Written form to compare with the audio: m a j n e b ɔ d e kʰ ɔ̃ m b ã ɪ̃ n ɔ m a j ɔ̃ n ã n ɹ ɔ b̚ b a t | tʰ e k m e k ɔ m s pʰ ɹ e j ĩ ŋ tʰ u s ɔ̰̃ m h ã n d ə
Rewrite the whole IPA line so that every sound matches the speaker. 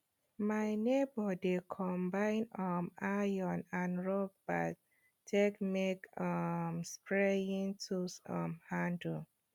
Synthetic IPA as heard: m a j n e b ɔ d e kʰ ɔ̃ m b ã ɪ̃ n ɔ m a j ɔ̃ n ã n ɹ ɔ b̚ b a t | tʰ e k m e k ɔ m s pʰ ɹ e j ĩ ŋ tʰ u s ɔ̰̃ m h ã n d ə